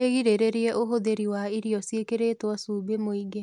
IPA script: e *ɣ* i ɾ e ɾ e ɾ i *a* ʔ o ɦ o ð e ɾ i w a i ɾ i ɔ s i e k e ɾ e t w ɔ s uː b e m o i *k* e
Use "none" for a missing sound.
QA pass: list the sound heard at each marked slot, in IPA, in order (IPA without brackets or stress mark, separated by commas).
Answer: ɣ, ɛ, ɡ